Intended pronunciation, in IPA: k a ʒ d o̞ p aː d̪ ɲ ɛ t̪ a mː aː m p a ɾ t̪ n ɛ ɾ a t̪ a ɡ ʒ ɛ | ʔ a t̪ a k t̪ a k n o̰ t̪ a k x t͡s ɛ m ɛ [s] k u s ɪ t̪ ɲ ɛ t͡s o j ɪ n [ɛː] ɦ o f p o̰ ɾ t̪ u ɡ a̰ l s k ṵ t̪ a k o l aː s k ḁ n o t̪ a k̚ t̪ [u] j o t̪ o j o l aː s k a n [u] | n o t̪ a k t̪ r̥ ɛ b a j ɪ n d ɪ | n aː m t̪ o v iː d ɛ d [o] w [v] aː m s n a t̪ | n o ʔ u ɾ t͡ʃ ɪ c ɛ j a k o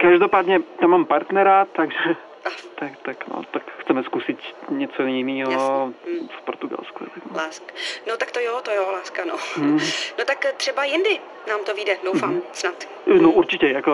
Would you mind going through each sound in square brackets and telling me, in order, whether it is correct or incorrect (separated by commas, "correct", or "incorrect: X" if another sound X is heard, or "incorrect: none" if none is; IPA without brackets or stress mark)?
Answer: correct, incorrect: iː, incorrect: o, incorrect: o, correct, incorrect: f